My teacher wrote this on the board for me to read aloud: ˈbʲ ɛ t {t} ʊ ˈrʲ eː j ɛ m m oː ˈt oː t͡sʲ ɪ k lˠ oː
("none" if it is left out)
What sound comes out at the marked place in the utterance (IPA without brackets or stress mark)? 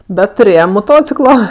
t